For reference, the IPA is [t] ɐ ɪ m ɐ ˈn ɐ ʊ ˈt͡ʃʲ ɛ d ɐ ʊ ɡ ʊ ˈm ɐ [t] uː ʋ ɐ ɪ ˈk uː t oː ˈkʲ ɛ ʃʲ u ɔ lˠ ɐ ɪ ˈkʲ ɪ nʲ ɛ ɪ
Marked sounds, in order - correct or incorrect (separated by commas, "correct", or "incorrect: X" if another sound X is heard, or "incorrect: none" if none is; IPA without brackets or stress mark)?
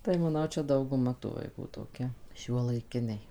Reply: correct, correct